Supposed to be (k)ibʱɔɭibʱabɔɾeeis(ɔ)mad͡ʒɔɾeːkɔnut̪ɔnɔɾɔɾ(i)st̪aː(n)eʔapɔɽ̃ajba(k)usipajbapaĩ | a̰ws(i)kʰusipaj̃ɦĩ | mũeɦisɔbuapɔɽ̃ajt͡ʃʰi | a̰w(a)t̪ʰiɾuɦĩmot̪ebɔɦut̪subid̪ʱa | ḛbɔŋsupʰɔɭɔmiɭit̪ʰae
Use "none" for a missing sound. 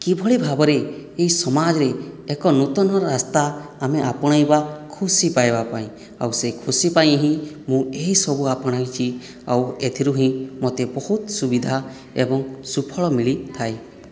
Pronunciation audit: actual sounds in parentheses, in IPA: k, ɔ, a, m, kʰ, e, e

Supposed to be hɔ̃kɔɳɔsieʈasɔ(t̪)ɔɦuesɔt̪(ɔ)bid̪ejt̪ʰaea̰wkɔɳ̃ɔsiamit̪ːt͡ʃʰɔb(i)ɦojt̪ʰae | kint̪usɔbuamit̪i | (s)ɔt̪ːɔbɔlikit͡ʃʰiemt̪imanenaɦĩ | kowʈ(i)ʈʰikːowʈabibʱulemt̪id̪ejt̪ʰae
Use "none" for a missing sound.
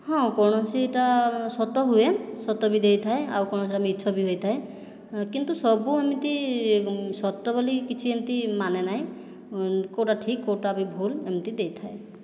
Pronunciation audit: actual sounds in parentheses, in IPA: t̪, ɔ, i, s, a

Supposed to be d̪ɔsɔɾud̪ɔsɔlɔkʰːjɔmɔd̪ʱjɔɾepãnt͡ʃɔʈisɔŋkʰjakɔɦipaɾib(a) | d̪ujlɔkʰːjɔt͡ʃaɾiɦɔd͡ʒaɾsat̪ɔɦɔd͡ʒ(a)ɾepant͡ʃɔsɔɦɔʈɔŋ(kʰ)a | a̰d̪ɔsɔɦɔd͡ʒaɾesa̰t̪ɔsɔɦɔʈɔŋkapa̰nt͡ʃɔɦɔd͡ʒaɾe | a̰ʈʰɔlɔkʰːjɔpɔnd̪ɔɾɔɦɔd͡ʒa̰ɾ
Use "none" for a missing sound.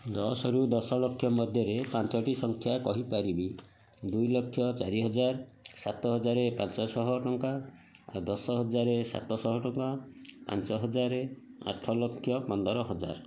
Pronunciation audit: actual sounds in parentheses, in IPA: i, a, k

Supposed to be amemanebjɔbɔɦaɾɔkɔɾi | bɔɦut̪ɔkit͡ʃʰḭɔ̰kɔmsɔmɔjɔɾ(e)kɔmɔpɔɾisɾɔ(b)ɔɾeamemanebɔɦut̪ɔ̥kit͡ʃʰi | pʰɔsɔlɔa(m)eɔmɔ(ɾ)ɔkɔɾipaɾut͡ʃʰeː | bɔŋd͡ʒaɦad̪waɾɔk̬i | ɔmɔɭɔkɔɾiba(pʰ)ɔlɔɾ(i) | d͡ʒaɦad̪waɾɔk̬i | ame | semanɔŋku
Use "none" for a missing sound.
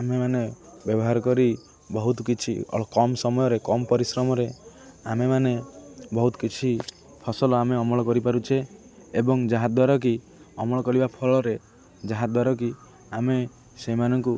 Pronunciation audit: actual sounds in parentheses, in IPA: e, m, m, ɭ, pʰ, e

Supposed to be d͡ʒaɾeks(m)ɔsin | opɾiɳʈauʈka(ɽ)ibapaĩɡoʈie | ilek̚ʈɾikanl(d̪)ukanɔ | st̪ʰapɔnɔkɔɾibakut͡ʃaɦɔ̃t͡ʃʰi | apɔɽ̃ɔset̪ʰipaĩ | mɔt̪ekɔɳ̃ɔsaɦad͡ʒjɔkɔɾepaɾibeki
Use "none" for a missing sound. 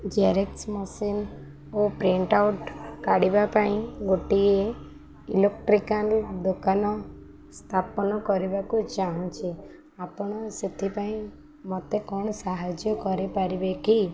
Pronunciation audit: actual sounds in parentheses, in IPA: m, ɽ, d̪

